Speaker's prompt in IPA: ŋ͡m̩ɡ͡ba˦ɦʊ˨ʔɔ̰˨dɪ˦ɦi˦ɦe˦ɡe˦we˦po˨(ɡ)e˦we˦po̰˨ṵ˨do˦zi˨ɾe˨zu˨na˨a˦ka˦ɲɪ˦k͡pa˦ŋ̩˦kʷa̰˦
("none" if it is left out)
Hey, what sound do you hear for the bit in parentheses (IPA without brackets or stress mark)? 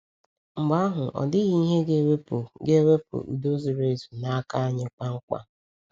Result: ɡ